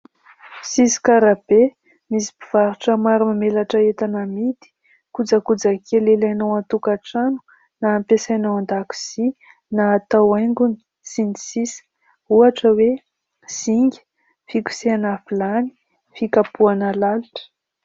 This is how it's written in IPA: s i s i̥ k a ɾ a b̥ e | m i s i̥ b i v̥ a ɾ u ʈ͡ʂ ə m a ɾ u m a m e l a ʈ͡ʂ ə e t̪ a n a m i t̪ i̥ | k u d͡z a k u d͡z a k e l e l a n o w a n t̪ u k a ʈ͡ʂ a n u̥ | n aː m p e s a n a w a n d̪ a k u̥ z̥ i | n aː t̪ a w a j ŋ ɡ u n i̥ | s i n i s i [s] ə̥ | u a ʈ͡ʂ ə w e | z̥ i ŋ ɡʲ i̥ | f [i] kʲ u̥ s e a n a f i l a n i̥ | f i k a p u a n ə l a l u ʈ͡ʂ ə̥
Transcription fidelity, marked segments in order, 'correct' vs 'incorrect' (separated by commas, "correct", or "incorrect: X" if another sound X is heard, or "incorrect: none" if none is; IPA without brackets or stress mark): correct, correct